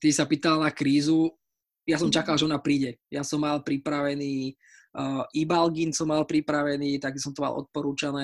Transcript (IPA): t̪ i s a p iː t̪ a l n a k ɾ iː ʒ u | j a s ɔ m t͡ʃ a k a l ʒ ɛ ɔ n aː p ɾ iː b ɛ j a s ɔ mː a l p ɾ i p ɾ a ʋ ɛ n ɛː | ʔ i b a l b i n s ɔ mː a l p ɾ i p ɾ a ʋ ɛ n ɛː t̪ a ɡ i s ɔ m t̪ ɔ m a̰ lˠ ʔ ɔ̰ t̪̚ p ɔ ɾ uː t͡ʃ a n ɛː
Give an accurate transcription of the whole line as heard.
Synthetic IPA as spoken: t̪ i s a p iː t̪ a l n a k ɾ iː z u | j a s ɔ m t͡ʃ a k a l ʒ ɛ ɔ n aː p ɾ iː ɟ ɛ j a s ɔ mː a l p ɾ i p ɾ a ʋ ɛ n iː | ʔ i b a l ɡ i n s ɔ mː a l p ɾ i p ɾ a ʋ ɛ n iː t̪ a ɡ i s ɔ m t̪ ɔ m a̰ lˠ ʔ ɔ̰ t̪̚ p ɔ ɾ uː t͡ʃ a n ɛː